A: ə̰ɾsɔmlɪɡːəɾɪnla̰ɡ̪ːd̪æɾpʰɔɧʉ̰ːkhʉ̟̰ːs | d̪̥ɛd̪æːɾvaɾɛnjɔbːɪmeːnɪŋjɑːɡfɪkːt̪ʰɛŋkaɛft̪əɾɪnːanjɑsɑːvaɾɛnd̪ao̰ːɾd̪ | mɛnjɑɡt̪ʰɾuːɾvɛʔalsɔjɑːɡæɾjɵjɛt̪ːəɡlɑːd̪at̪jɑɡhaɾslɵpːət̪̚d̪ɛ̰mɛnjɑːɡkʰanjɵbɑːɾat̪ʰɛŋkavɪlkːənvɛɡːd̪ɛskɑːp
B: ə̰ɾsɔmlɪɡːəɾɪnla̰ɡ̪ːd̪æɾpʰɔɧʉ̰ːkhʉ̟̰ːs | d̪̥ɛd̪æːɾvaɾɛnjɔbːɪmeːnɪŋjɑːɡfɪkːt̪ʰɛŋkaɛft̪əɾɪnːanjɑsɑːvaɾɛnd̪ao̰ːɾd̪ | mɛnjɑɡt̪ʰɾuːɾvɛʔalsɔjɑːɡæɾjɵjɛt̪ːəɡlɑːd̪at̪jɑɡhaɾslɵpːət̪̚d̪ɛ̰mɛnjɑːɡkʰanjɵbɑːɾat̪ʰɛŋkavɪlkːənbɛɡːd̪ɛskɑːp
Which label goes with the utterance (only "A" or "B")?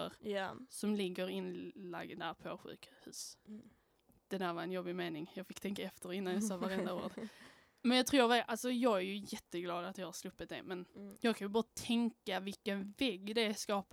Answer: A